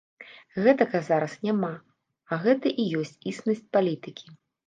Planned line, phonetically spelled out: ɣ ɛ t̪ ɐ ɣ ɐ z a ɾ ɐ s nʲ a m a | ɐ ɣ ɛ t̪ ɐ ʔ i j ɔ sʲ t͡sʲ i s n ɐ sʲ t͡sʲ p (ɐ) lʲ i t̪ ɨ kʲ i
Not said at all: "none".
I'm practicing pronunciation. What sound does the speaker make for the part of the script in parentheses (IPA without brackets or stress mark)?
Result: a